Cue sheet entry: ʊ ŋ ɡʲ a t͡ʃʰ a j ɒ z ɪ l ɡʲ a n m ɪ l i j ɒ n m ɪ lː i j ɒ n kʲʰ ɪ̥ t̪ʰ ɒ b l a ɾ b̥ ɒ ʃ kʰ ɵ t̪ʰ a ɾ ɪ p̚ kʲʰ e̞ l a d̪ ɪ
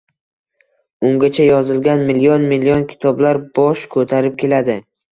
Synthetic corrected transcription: ʊ ŋ ɡʲ a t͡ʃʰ a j ɒ z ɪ l ɡʲ a n m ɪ l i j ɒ n m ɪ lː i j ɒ n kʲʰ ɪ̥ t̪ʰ ɒ b l a ɾ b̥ ɒ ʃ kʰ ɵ t̪ʰ a ɾ ɪ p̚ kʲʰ e̞ l a d̪ ɪ

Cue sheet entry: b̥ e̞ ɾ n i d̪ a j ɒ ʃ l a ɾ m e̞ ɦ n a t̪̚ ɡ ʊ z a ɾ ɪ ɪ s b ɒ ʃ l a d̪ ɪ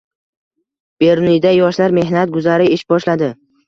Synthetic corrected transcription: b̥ e̞ ɾ n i d̪ a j ɒ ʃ l a ɾ m e̞ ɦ n a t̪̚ ɡ ʊ z a ɾ ɪ ɪ ʃ b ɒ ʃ l a d̪ ɪ

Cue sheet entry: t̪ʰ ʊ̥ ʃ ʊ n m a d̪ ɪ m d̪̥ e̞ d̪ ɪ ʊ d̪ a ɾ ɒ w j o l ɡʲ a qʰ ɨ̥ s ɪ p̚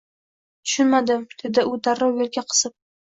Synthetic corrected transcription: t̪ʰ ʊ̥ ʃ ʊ n m a d̪ ɪ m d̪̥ e̞ d̪ ɪ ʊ d̪ a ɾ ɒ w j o l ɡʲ a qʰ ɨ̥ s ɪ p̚

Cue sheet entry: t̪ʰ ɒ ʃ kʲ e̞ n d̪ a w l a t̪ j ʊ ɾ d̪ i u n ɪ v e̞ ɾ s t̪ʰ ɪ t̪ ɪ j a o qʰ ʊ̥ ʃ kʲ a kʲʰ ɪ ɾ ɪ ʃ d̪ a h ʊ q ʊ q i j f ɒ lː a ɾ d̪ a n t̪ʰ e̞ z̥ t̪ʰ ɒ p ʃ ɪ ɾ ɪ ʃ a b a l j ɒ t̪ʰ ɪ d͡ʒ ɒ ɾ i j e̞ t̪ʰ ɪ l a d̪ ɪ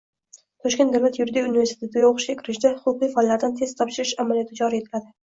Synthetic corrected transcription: t̪ʰ ɒ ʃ kʲ e̞ n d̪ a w l a t̪ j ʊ ɾ d̪ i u n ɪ v e̞ ɾ s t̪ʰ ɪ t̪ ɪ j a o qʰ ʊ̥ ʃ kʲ a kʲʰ ɪ ɾ ɪ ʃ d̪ a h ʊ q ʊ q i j f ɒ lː a ɾ d̪ a n t̪ʰ e̞ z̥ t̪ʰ ɒ p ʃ ɪ ɾ ɪ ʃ a m a l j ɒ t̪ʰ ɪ d͡ʒ ɒ ɾ i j e̞ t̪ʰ ɪ l a d̪ ɪ

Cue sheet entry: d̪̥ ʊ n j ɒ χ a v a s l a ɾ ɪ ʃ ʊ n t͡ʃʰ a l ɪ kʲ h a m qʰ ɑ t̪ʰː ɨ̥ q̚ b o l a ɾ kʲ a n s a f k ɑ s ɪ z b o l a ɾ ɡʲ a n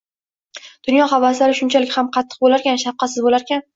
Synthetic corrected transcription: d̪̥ ʊ n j ɒ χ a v a s l a ɾ ɪ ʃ ʊ n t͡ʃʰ a l ɪ kʲ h a m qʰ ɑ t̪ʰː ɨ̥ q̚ b o l a ɾ kʲ a n ʃ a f q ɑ s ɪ z b o l a ɾ kʲ a n

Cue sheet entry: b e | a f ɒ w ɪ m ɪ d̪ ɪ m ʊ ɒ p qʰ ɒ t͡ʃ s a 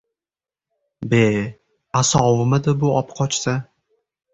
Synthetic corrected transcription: b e | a s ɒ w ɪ m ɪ d̪ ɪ b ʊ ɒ p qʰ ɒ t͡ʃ s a

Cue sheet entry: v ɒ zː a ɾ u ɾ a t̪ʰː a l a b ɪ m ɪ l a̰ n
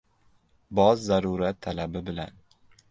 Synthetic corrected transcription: b ɒ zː a ɾ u ɾ a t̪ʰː a l a b ɪ b ɪ l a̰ n

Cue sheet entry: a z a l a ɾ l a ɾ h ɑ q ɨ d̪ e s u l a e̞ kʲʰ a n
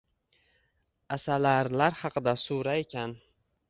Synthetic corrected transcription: a s a l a ɾ l a ɾ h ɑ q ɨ d̪ a s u ɾ a e̞ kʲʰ a n

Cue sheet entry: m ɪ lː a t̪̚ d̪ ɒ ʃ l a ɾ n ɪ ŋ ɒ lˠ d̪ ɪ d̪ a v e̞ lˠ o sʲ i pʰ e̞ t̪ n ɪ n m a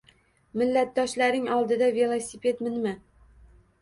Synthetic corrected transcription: m ɪ lː a t̪̚ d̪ ɒ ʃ l a ɾ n ɪ ŋ ɒ lˠ d̪ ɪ d̪ a v e̞ lˠ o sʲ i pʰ e̞ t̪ m ɪ n m a

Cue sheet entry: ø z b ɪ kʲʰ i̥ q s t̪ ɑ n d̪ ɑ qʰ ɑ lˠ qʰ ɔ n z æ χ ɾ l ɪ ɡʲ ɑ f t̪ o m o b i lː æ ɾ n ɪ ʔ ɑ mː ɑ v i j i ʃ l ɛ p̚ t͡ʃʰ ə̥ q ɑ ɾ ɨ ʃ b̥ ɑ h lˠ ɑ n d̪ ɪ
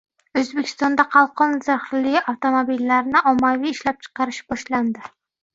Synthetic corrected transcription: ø z b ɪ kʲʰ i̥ s t̪ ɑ n d̪ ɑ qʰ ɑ lˠ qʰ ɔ n z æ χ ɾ l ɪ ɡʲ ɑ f t̪ o m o b i lː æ ɾ n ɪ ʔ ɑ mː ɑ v i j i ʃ l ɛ p̚ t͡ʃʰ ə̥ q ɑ ɾ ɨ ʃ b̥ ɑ ʃ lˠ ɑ n d̪ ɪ

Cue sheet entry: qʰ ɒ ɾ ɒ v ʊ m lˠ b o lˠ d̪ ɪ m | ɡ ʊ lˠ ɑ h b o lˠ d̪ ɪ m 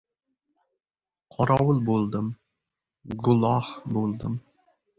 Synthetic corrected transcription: qʰ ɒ ɾ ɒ w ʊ lˠ b o lˠ d̪ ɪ m | ɡ ʊ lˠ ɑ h b o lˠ d̪ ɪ m

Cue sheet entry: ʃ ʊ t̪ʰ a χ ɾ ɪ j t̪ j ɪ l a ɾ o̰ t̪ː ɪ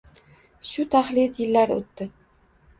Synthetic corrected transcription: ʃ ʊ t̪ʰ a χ l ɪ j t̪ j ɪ lː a ɾ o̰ t̪ː ɪ

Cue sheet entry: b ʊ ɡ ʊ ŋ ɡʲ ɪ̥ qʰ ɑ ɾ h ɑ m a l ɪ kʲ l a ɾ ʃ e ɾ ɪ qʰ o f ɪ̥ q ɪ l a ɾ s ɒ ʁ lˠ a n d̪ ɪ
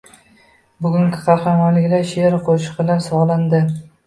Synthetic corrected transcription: b ʊ ɡ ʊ ŋ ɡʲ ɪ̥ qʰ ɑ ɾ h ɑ m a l ɪ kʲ l a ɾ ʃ e ɾ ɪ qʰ o ʃ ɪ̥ q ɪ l a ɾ s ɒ ʁ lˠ a n d̪ ɪ

